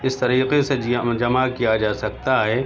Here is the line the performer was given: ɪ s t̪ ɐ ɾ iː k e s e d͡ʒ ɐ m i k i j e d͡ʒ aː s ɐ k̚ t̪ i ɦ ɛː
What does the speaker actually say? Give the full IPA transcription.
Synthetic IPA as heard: ɪ s t̪ ɐ ɾ iː q e s e d͡ʒ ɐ m a k i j a d͡ʒ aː s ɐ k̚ t̪ a ɦ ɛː